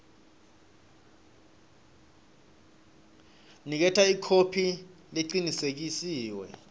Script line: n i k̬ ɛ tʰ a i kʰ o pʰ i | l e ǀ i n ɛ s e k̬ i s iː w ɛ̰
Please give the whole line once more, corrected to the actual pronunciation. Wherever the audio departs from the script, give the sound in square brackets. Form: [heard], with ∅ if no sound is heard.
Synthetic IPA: n i k̬ ɛ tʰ a i kʰ o pʰ i | l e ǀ i n [i] s e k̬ i s iː w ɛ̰

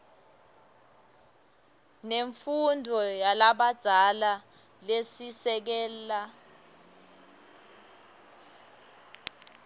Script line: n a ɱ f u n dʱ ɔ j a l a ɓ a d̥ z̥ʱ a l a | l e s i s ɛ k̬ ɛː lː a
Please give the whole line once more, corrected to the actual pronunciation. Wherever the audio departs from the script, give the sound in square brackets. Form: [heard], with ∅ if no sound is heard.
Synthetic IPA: n [e] ɱ f u n dʱ ɔ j a l a ɓ a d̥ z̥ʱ a l a | l e s i s ɛ k̬ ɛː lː a

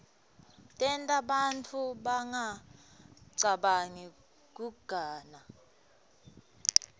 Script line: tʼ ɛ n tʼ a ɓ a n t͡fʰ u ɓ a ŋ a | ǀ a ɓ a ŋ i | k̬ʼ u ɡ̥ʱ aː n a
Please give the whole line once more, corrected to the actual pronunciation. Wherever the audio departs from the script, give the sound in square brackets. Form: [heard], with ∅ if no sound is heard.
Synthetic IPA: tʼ ɛ n tʼ a ɓ a n t͡fʰ u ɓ a ŋ a | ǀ a ɓ a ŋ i | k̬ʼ u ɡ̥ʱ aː n a

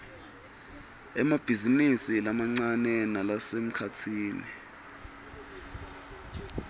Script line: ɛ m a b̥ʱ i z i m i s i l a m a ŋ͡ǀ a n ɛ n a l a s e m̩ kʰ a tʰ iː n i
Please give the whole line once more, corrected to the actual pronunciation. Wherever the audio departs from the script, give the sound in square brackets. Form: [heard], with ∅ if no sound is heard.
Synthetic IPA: ɛ m a b̥ʱ i z i [n] i s i l a m a ŋ͡ǀ a n ɛ n a l a s e m̩ kʰ a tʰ iː n i

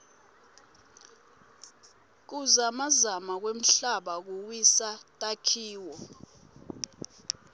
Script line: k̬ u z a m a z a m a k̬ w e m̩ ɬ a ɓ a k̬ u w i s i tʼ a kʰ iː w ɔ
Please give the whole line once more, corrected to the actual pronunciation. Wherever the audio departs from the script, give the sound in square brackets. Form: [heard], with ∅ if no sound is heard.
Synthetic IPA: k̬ u z a m a z a m a k̬ w e m̩ ɬ a ɓ a k̬ u w i s [a] tʼ a kʰ iː w ɔ

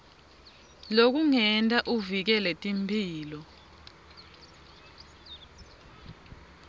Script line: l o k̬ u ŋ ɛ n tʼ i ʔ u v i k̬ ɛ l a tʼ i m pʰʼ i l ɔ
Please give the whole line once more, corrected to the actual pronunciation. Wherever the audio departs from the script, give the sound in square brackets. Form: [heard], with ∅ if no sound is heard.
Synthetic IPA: l o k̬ u ŋ ɛ n tʼ [a] ʔ u v i k̬ ɛ l [ɛ] tʼ i m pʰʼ [iː] l ɔ

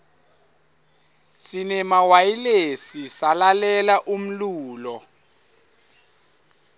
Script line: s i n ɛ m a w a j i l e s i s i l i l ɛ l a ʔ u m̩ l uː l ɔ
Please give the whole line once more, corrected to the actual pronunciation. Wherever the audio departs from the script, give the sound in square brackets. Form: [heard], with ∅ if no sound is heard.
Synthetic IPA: s i n ɛ m a w a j i l e s i s [a] l [a] l ɛ l a ʔ u m̩ l uː l ɔ

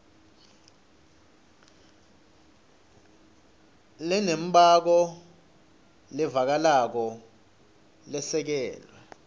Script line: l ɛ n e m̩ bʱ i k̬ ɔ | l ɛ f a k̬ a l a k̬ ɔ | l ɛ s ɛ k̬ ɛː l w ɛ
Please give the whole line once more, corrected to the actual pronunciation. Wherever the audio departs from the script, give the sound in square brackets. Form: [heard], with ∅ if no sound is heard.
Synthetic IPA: l ɛ n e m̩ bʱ [a] k̬ ɔ | l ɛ [v] a k̬ a l a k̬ ɔ | l ɛ s ɛ k̬ ɛː l w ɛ

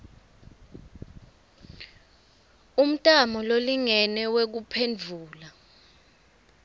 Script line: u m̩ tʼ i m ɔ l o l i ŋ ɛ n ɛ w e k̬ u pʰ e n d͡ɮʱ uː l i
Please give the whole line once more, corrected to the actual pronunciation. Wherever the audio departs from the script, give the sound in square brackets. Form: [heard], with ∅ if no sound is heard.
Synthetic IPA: u m̩ tʼ [a] m ɔ l o l i ŋ ɛ n ɛ w e k̬ u pʰ e n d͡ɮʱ uː l [a]

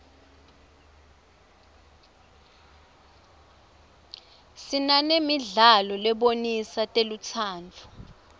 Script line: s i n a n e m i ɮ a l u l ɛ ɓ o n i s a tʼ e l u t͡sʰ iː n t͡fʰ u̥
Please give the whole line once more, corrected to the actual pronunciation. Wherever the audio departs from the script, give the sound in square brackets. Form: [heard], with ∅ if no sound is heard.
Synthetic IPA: s i n a n e m i ɮ a l [ɔ] l ɛ ɓ o n i s a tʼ e l u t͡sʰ [aː] n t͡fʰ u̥

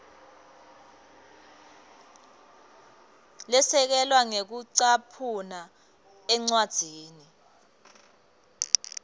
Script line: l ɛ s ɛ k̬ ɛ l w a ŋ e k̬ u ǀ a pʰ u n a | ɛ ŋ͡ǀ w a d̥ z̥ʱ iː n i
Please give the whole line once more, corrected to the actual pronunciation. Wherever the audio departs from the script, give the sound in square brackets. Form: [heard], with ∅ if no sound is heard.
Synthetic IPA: l ɛ s ɛ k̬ ɛ l w a ŋ e k̬ u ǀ a pʰ u n a | ɛ ŋ͡ǀ w a d̥ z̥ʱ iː n i

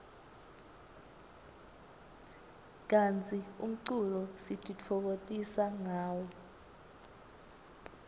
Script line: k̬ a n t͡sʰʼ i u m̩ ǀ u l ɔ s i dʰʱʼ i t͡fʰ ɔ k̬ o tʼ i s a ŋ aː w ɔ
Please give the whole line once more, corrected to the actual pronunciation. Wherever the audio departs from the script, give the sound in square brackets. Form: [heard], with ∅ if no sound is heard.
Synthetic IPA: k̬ a n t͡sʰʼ i u m̩ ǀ u l ɔ s i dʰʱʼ i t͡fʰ ɔ k̬ o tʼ i s a ŋ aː w ɔ

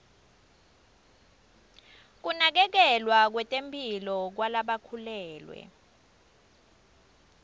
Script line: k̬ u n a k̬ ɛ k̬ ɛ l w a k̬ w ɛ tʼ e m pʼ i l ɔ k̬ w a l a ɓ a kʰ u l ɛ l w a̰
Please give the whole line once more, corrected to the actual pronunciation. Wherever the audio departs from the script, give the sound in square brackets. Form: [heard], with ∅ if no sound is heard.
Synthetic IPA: k̬ u n a k̬ ɛ k̬ ɛ l w a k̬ w ɛ tʼ e m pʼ i l ɔ k̬ w a l a ɓ a kʰ u l [ɛː] l w [ɛ̰]

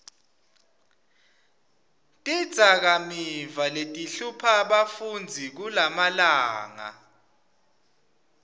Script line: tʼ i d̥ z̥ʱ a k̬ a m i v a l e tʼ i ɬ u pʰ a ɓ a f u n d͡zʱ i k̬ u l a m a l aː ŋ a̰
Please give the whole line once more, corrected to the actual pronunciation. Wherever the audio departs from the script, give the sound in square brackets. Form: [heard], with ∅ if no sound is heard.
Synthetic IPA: tʼ i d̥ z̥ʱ a k̬ a m i v a l e tʼ i ɬ u pʰ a ɓ a f u n d͡zʱ i k̬ u l a m a l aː ŋ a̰

